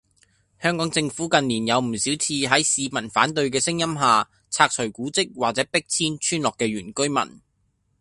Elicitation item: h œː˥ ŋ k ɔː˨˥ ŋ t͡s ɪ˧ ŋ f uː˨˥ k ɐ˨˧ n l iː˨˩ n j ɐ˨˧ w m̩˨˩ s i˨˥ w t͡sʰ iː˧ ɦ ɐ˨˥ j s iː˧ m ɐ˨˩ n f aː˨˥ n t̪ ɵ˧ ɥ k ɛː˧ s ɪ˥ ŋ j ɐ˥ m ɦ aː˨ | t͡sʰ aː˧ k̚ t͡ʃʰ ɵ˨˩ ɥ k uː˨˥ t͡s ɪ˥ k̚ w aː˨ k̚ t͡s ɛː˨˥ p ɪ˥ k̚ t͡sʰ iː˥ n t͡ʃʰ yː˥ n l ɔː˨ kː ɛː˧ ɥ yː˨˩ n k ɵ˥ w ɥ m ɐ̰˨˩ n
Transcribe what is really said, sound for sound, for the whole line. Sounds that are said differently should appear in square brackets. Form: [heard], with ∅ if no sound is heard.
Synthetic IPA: h œː˥ ŋ k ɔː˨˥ ŋ t͡s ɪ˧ ŋ f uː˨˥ k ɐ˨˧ n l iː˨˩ n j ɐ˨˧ w m̩˨˩ s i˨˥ w t͡sʰ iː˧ ɦ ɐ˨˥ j s iː˧ m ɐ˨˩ n f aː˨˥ n t̪ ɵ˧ ɥ k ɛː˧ s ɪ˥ ŋ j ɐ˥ m ɦ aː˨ | t͡sʰ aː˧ k̚ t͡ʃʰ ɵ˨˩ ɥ k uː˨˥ t͡s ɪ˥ k̚ w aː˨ k̚ t͡s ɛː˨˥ p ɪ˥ k̚ t͡sʰ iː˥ n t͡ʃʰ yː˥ n l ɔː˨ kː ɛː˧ ɥ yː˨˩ n k ɵ˥ [∅] ɥ m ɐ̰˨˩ n